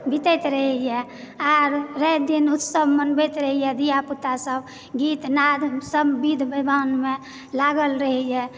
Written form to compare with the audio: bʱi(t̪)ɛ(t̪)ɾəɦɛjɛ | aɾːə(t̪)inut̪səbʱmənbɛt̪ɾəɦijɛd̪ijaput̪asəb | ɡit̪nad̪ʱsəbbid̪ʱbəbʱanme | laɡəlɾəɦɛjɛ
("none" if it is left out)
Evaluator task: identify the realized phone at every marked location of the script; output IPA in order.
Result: t̪, t̪, d̪

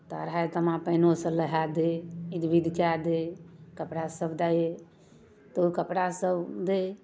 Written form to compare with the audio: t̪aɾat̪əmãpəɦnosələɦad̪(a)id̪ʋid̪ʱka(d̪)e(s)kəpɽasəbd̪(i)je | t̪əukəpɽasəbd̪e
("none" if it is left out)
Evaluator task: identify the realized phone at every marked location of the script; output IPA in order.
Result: e, d̪, none, a

